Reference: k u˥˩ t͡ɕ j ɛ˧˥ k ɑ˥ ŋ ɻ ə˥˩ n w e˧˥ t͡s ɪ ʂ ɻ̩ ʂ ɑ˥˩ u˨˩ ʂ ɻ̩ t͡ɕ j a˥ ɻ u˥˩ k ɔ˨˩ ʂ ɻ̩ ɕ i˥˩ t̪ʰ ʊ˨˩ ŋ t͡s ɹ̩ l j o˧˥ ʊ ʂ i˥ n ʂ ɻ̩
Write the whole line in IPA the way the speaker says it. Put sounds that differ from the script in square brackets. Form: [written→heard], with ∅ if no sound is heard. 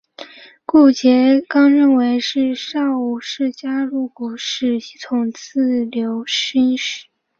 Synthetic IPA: k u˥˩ t͡ɕ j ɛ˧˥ k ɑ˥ ŋ ɻ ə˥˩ n w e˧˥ [t͡s→∅] ɪ ʂ ɻ̩ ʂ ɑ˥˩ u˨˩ ʂ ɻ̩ t͡ɕ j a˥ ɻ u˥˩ k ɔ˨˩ ʂ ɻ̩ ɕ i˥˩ t̪ʰ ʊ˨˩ ŋ t͡s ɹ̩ l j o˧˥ ʊ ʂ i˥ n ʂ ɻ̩